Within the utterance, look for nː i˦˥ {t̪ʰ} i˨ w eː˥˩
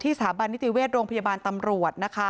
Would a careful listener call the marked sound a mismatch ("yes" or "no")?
yes